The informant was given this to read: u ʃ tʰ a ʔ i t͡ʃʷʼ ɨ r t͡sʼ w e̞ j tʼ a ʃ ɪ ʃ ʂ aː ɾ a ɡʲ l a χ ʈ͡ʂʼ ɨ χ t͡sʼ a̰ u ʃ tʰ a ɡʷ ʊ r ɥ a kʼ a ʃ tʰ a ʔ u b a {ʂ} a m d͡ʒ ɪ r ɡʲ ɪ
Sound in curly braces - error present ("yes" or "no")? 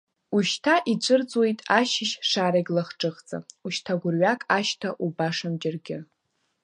no